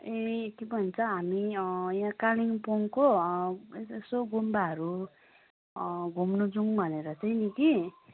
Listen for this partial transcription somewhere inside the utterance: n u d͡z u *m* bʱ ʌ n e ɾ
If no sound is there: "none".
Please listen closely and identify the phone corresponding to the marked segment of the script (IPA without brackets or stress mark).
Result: ŋ